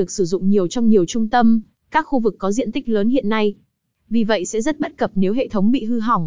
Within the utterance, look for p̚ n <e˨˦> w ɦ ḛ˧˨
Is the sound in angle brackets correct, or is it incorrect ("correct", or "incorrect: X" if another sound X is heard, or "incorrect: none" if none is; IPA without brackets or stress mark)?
correct